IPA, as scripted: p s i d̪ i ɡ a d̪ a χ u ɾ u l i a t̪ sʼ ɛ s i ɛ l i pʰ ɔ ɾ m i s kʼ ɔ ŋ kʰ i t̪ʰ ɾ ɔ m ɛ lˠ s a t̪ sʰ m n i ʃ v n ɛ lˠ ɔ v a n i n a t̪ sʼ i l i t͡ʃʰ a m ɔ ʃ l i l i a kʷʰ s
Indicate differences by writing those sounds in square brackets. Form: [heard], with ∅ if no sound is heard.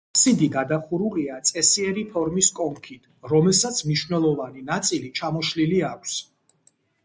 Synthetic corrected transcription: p s i d̪ i ɡ a d̪ a χ u ɾ u l i a t̪ sʼ ɛ s i ɛ [ɾ] i pʰ ɔ ɾ m i s kʼ ɔ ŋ kʰ i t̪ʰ ɾ ɔ m ɛ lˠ s a t̪ sʰ m n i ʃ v n ɛ lˠ ɔ v a n i n a t̪ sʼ i l i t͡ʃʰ a m ɔ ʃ l i l i a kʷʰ s

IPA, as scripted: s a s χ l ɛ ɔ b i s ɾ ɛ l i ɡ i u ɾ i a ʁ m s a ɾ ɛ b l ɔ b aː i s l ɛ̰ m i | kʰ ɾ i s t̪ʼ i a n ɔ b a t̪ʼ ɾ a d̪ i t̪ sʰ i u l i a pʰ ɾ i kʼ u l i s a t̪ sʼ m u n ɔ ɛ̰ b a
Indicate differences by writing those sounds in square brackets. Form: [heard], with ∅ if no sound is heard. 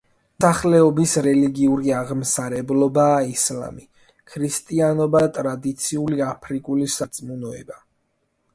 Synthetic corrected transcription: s a [∅] χ l ɛ ɔ b i s ɾ ɛ l i ɡ i u ɾ i a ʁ m s a ɾ ɛ b l ɔ b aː i s l [a̰] m i | kʰ ɾ i s t̪ʼ i a n ɔ b a t̪ʼ ɾ a d̪ i t̪ sʰ i u l i a pʰ ɾ i kʼ u l i s a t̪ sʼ m u n ɔ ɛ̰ b a

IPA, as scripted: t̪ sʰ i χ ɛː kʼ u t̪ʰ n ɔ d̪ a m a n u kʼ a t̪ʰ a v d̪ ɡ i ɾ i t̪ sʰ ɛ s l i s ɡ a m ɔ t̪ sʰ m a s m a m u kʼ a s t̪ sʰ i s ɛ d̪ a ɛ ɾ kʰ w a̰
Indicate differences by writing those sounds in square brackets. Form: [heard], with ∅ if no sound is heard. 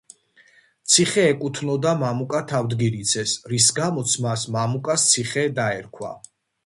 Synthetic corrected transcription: t̪ sʰ i χ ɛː kʼ u t̪ʰ n ɔ d̪ a m a [m] u kʼ a t̪ʰ a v d̪ ɡ i ɾ i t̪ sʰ ɛ s [ɾ] i s ɡ a m ɔ t̪ sʰ m a s m a m u kʼ a s t̪ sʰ i [χ] ɛ d̪ a ɛ ɾ kʰ w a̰

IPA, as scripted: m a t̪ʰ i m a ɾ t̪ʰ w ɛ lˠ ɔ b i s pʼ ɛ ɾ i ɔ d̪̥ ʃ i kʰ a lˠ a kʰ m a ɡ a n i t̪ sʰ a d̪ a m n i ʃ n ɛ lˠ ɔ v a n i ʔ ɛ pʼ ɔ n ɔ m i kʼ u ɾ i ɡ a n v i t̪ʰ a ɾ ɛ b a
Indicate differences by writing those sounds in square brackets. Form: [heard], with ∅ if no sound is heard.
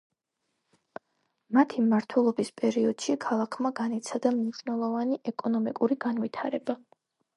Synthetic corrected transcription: m a t̪ʰ i m a ɾ t̪ʰ w ɛ lˠ ɔ b i s pʼ ɛ ɾ i ɔ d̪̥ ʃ i kʰ a lˠ a kʰ m a ɡ a n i t̪ sʰ a d̪ a m n i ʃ n ɛ lˠ ɔ v a n i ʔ ɛ [kʼ] ɔ n ɔ m i kʼ u ɾ i ɡ a n v i t̪ʰ a ɾ ɛ b a

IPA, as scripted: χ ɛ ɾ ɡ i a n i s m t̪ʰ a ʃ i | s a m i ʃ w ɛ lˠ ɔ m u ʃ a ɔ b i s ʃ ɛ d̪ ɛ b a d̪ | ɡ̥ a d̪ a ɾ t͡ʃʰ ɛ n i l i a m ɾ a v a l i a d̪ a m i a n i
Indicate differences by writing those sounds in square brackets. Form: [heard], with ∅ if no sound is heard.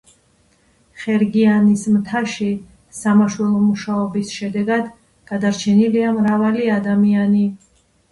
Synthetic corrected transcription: χ ɛ ɾ ɡ i a n i s m t̪ʰ a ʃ i | s a m [a] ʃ w ɛ lˠ ɔ m u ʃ a ɔ b i s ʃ ɛ d̪ ɛ [ɡ] a d̪ | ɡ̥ a d̪ a ɾ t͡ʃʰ ɛ n i l i a m ɾ a v a l i a d̪ a m i a n i

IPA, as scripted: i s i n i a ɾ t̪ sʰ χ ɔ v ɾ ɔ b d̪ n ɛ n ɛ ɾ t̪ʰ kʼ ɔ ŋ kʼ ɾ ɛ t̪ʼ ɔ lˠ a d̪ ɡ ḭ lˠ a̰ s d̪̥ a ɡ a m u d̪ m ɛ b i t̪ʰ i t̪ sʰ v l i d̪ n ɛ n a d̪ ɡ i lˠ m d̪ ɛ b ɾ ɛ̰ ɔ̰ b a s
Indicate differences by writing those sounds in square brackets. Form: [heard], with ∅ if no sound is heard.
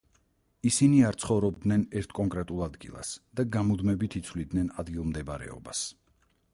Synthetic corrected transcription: i s i n i a ɾ t̪ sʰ χ ɔ v ɾ ɔ b d̪ n ɛ n ɛ ɾ t̪ʰ kʼ ɔ ŋ kʼ ɾ ɛ t̪ʼ [u] lˠ a d̪ ɡ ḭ lˠ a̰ s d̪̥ a ɡ a m u d̪ m ɛ b i t̪ʰ i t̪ sʰ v l i d̪ n ɛ n a d̪ ɡ i lˠ m d̪ ɛ b ɾ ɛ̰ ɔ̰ b a s

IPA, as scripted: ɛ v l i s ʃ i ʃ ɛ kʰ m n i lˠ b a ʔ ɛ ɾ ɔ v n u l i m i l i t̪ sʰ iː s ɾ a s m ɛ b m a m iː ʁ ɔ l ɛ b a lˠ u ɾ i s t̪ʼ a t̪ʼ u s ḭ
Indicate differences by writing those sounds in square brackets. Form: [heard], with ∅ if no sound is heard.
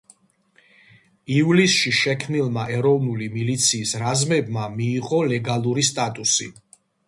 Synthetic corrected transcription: [i] v l i s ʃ i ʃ ɛ kʰ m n i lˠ [m] a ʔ ɛ ɾ ɔ v n u l i m i l i t̪ sʰ iː s ɾ a [z] m ɛ b m a m iː ʁ ɔ l ɛ [ɡ] a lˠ u ɾ i s t̪ʼ a t̪ʼ u s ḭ

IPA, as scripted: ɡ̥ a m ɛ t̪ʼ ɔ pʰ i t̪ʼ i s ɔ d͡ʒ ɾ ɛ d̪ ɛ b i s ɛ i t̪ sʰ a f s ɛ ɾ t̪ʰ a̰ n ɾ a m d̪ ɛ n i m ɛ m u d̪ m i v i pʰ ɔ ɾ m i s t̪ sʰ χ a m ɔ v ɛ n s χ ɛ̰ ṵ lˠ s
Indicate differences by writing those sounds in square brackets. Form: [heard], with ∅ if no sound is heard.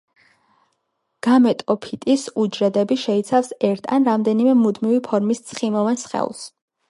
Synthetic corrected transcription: ɡ̥ a m ɛ t̪ʼ ɔ pʰ i t̪ʼ i s [u] d͡ʒ ɾ ɛ d̪ ɛ b i [ʃ] ɛ i t̪ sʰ a f s ɛ ɾ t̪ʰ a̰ n ɾ a m d̪ ɛ n i m ɛ m u d̪ m i v i pʰ ɔ ɾ m i s t̪ sʰ χ [i] m ɔ v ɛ n s χ ɛ̰ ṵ lˠ s

